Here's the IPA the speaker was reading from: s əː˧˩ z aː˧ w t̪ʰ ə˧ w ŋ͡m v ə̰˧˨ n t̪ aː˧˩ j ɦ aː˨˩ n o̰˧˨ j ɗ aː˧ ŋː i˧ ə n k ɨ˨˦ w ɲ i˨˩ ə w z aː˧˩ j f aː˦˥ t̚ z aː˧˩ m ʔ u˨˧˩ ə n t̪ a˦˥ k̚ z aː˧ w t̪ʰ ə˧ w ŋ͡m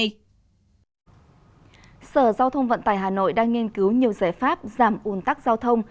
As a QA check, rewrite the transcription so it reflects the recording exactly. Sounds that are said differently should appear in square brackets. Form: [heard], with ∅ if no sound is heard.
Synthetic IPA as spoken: s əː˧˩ z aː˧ w t̪ʰ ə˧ w ŋ͡m v ə̰˧˨ n t̪ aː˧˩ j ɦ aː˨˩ n o̰˧˨ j ɗ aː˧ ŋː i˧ ə n k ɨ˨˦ w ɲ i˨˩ ə w z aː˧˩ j f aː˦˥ [p̚] z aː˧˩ m ʔ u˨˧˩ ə n t̪ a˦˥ k̚ z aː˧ w t̪ʰ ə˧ w ŋ͡m